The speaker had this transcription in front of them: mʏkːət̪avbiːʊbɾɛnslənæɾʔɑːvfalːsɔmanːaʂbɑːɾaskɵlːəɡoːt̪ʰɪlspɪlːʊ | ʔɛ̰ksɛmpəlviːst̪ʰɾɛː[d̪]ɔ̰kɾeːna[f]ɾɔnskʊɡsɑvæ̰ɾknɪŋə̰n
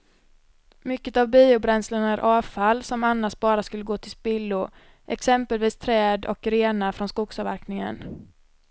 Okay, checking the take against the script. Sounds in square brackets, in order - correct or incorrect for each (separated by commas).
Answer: correct, correct